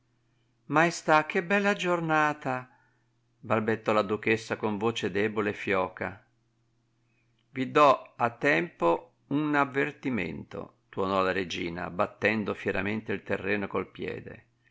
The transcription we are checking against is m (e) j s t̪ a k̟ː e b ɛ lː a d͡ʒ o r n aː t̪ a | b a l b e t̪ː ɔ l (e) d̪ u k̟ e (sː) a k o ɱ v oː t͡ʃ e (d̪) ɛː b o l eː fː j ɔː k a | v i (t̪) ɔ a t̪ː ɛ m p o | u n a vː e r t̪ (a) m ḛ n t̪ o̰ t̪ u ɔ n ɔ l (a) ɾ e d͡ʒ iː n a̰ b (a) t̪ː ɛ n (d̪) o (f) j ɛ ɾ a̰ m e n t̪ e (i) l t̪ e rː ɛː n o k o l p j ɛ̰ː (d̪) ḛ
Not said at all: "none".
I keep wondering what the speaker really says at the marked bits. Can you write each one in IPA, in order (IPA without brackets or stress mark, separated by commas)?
a, a, sː, d̪, d̪, i, a, a, d̪, f, i, d̪